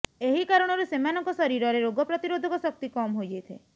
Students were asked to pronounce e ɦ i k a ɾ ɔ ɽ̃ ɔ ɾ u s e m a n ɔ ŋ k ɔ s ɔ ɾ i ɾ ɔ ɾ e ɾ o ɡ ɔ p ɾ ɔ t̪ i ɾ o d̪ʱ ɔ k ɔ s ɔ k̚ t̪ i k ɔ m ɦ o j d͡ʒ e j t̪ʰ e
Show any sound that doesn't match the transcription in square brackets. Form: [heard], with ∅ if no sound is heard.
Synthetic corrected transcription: e ɦ i k a ɾ ɔ ɽ̃ ɔ ɾ u s e m a n ɔ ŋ k ɔ s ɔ ɾ i ɾ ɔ ɾ e ɾ o ɡ ɔ p ɾ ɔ t̪ i ɾ o d̪ʱ ɔ k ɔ s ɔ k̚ t̪ i k ɔ m ɦ o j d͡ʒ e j t̪ʰ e